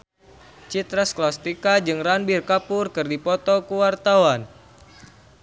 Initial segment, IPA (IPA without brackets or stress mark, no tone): t͡ʃ